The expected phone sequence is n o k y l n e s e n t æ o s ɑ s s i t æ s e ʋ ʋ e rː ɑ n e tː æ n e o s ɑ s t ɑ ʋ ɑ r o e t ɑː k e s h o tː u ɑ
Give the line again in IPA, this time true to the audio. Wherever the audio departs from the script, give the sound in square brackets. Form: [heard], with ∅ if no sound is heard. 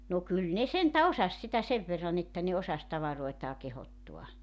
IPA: n o k y l n e s e n t æ o s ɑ s s i t æ s e ʋ ʋ e rː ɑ n e tː æ n e o s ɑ s t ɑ ʋ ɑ r o e t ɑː k e [∅] h o tː u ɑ

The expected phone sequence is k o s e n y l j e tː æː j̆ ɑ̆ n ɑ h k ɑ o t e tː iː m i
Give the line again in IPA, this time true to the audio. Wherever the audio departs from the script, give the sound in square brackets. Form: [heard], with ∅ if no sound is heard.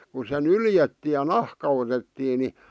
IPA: k [u] s e n y l j e tː [iː] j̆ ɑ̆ n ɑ h k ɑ o t e tː iː [n] i

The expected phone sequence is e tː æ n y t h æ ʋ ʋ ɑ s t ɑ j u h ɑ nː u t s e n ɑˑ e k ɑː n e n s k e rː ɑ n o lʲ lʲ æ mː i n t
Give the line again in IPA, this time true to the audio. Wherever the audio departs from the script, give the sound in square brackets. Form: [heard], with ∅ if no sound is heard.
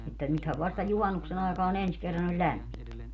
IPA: e tː æ n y t h æ ʋ ʋ ɑ s t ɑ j u h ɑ nː u [k] s e n ɑˑ e k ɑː n e n s k e rː ɑ n o lʲ lʲ æ mː i n t

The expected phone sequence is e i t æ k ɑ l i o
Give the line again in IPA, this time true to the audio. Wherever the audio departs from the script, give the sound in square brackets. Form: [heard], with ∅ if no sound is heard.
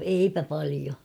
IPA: e i [p] æ [p] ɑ l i o

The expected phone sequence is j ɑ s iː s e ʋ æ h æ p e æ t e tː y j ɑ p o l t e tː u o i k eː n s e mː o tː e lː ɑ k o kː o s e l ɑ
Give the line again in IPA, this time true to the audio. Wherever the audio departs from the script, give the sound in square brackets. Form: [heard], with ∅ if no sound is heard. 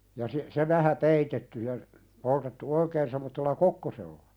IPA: j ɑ s [i] s e ʋ æ h æ p e [i] t e tː y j ɑ p o l t e tː u o i k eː n s e mː o tː e lː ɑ k o kː o s e [lː] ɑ

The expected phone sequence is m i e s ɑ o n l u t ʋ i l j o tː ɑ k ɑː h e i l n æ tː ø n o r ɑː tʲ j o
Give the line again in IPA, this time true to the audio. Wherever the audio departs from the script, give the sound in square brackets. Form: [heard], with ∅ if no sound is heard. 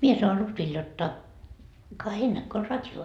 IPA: m i e s ɑ o n l u t ʋ i l j o tː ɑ k [ɑ] h e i l n æ [kː] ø [∅] o r [ɑ] tʲ j o

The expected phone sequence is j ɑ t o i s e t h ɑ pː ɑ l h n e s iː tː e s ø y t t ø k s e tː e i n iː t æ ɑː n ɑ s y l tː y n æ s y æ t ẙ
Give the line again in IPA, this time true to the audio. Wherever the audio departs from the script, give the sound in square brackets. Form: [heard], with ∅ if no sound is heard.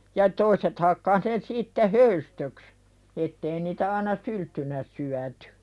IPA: j ɑ t o i s e t h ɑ [kː] ɑ [∅] h n e s iː tː e [h] ø y [s] t ø k s e tː e i n iː t æ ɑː n ɑ s y l tː y n æ s y æ t ẙ

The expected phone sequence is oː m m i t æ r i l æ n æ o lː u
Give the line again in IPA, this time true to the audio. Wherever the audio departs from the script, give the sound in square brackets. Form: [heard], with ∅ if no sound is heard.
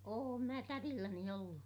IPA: oː m m [æ] t æ r i [lː] æ n [i] o lː u

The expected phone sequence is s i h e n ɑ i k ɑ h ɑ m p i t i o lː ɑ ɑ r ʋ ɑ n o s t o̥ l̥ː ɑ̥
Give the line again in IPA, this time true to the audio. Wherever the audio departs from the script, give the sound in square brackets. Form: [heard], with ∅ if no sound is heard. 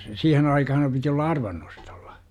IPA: s [iː] h e n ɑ i k ɑ h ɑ m p i t i o lː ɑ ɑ r ʋ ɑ [nː] o s t o̥ l̥ː ɑ̥

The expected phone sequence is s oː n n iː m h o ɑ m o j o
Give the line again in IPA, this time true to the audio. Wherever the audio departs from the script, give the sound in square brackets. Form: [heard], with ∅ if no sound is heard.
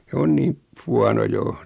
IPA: s [o] n n iː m h [u] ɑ [n] o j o

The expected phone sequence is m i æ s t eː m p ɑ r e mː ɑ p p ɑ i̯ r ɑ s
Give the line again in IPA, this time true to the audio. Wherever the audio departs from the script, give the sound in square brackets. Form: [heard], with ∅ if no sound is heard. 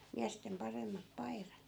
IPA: m i æ s t [e] m p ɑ r e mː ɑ p p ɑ i̯ r ɑ [t]

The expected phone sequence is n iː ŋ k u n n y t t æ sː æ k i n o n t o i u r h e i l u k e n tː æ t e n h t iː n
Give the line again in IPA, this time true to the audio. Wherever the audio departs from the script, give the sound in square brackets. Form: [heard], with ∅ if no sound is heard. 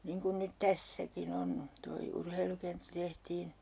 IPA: n iː ŋ k u n n y t t æ sː æ k i n o n t o i u r h e i l u k e n tː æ t e [∅] h t iː n

